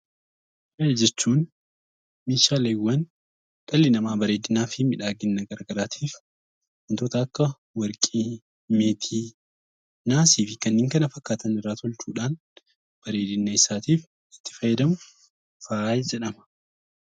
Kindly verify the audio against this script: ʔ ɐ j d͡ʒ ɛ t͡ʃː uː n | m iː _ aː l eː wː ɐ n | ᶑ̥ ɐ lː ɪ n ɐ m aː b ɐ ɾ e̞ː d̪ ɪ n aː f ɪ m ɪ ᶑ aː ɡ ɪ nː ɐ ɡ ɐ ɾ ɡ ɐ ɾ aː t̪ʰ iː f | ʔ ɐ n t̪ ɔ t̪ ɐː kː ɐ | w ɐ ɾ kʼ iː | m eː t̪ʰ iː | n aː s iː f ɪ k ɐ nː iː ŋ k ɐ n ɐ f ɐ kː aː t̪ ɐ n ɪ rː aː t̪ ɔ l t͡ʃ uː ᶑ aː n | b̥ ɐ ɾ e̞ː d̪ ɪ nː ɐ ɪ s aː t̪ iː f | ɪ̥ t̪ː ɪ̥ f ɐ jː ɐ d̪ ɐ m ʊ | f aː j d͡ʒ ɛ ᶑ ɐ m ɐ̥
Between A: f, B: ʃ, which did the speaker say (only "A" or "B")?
B